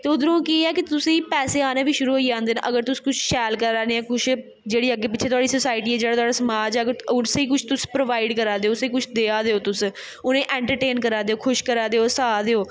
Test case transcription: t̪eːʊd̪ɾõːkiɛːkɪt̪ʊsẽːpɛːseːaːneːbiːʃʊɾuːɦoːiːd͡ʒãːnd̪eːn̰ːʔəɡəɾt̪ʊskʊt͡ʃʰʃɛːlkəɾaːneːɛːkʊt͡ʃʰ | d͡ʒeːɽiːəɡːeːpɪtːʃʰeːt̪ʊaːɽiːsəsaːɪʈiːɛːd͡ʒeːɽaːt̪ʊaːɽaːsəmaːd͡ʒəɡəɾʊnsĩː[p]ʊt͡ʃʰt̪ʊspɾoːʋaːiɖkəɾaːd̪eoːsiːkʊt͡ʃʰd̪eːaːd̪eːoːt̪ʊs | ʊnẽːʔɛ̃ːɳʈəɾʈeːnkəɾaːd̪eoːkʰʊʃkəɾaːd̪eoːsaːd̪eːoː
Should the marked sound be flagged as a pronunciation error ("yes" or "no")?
yes